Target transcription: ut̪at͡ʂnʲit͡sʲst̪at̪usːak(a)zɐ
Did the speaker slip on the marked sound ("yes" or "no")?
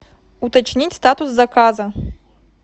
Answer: no